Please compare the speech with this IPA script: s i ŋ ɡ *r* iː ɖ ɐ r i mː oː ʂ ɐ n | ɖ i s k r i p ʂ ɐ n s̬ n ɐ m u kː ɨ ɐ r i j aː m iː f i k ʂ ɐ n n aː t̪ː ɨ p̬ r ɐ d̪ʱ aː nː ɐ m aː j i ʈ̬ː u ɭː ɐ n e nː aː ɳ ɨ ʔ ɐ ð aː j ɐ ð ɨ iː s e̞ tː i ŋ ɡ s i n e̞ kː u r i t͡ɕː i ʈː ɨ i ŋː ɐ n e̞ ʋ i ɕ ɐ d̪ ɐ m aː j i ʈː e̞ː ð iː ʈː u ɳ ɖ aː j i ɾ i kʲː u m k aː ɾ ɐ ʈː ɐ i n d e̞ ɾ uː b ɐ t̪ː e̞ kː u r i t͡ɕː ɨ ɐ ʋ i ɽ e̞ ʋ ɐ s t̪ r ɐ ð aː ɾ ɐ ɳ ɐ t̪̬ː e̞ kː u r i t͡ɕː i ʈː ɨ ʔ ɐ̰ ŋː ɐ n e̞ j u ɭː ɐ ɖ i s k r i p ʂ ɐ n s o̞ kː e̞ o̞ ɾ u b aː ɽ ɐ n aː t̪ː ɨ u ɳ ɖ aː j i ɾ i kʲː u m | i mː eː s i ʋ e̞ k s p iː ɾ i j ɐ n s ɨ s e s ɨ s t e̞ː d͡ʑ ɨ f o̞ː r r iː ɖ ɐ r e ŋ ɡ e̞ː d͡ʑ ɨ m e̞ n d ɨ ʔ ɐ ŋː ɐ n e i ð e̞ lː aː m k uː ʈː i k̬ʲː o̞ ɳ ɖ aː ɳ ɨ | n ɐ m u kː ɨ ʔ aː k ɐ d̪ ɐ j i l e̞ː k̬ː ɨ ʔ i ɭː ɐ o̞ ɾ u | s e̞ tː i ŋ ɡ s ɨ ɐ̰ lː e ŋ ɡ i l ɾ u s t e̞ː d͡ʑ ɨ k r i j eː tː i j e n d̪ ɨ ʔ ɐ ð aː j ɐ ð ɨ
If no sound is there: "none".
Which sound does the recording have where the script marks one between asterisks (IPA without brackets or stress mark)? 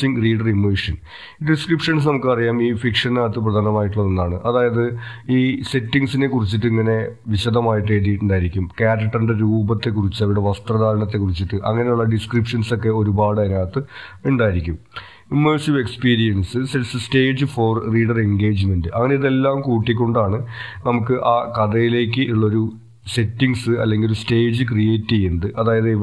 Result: r